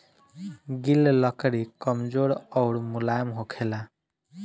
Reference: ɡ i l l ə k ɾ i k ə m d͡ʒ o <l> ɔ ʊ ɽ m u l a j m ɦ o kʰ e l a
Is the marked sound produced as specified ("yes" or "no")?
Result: no